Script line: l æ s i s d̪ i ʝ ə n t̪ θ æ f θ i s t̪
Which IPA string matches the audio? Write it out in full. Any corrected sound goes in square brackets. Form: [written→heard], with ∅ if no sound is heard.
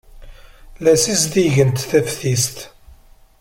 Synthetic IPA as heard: l æ s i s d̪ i ʝ ə n t̪ θ æ f θ i s t̪